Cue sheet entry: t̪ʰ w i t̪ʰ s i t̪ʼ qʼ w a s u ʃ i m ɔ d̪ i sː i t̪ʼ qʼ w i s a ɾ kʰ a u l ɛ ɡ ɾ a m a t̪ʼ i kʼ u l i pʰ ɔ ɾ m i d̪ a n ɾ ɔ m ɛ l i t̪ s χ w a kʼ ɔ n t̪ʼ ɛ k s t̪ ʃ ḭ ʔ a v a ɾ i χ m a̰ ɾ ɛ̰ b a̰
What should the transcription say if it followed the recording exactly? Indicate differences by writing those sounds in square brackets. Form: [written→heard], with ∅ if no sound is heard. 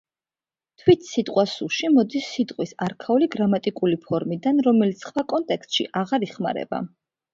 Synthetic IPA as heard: t̪ʰ w i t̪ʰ s i t̪ʼ qʼ w a s u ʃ i m ɔ d̪ i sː i t̪ʼ qʼ w i s a ɾ kʰ a u l [ɛ→i] ɡ ɾ a m a t̪ʼ i kʼ u l i pʰ ɔ ɾ m i d̪ a n ɾ ɔ m ɛ l i t̪ s χ w a kʼ ɔ n t̪ʼ ɛ k s t̪ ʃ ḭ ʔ a [v→ʁ] a ɾ i χ m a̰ ɾ ɛ̰ b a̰

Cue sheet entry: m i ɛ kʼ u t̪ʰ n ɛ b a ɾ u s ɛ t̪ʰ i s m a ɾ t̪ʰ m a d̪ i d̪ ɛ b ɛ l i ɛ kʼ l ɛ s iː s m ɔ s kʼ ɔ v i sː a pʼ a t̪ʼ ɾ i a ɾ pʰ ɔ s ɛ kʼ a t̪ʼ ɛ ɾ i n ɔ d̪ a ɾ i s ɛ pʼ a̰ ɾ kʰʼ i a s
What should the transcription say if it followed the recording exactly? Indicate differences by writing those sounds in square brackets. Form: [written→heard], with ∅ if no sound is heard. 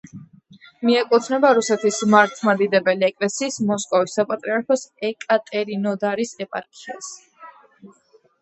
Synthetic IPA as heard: m i ɛ kʼ u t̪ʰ n ɛ b a ɾ u s ɛ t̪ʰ i s m a ɾ t̪ʰ m a d̪ i d̪ ɛ b ɛ l i ɛ kʼ l ɛ s iː s m ɔ s kʼ ɔ v i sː a pʼ a t̪ʼ ɾ i a ɾ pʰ ɔ s ɛ kʼ a t̪ʼ ɛ ɾ i n ɔ d̪ a ɾ i s ɛ pʼ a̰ ɾ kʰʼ i a s

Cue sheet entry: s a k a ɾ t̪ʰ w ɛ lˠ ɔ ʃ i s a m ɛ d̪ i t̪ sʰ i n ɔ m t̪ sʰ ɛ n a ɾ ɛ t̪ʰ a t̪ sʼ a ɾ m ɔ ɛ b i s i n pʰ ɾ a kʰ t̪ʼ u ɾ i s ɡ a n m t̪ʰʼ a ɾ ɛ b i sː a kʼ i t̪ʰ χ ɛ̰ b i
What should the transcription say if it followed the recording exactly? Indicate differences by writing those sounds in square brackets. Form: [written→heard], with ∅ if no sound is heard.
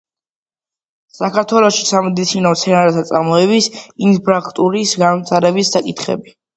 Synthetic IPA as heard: s a k a ɾ t̪ʰ w ɛ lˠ ɔ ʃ i s a m ɛ d̪ i t̪ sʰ i n ɔ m t̪ sʰ ɛ n a ɾ ɛ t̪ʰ a t̪ sʼ a ɾ m ɔ ɛ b i s i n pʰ ɾ a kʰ t̪ʼ u ɾ i s ɡ a n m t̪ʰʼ a ɾ ɛ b i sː a kʼ i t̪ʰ χ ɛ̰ b i

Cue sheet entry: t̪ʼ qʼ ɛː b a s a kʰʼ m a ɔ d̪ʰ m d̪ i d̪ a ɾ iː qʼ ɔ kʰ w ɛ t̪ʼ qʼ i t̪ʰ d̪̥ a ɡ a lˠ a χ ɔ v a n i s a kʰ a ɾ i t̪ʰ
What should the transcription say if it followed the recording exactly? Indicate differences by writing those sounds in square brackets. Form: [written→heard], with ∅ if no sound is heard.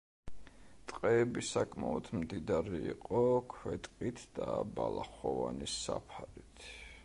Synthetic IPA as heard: t̪ʼ qʼ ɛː b [a→i] s a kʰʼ m a ɔ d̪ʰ m d̪ i d̪ a ɾ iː qʼ ɔ kʰ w ɛ t̪ʼ qʼ i t̪ʰ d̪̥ a [ɡ→b] a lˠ a χ ɔ v a n i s a [kʰ→pʰ] a ɾ i t̪ʰ

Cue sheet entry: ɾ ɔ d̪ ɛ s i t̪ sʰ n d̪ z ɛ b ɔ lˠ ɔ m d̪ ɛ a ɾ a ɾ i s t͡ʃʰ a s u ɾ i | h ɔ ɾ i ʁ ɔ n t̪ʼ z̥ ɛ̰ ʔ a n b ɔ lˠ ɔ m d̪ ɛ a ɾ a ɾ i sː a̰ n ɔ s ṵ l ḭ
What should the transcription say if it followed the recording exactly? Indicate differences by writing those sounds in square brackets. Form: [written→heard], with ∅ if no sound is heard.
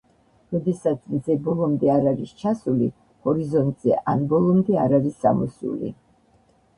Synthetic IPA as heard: ɾ ɔ d̪ ɛ s [i→a] t̪ sʰ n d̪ z ɛ b ɔ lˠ ɔ m d̪ ɛ a ɾ a ɾ i s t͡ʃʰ a s u [ɾ→l] i | h ɔ ɾ i [ʁ→z] ɔ n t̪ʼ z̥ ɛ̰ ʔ a n b ɔ lˠ ɔ m d̪ ɛ a ɾ a ɾ i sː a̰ [n→m] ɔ s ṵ l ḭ

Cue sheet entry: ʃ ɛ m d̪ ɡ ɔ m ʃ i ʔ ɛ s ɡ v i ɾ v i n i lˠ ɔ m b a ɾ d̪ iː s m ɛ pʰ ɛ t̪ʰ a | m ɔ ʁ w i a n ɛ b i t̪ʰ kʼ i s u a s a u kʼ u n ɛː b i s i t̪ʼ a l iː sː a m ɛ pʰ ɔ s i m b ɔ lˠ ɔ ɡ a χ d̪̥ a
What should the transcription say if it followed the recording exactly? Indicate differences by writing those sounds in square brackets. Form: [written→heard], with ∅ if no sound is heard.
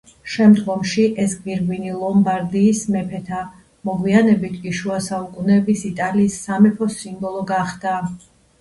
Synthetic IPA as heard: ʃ ɛ m d̪ ɡ ɔ m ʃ i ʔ ɛ s ɡ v i ɾ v i n i lˠ ɔ m b a ɾ d̪ iː s m ɛ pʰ ɛ t̪ʰ a | m ɔ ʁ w i a n ɛ b i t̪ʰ kʼ i [s→ʃ] u a s a u kʼ u n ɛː b i s i t̪ʼ a l iː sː a m ɛ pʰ ɔ s i m b ɔ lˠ ɔ ɡ a χ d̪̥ a

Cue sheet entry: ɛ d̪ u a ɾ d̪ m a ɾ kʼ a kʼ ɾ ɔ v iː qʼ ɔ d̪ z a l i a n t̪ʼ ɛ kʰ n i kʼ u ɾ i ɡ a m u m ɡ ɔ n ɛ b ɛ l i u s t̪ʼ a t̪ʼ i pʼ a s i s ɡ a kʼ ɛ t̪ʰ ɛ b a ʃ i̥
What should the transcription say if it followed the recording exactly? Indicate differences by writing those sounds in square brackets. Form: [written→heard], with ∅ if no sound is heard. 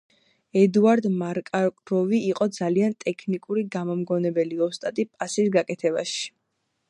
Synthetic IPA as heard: ɛ d̪ u a ɾ d̪ m a ɾ kʼ a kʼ ɾ ɔ v iː qʼ ɔ d̪ z a l i a n t̪ʼ ɛ kʰ n i kʼ u ɾ i ɡ a m [u→ɔ] m ɡ ɔ n ɛ b ɛ l i [u→ɔ] s t̪ʼ a t̪ʼ i pʼ a s i s ɡ a kʼ ɛ t̪ʰ ɛ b a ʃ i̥

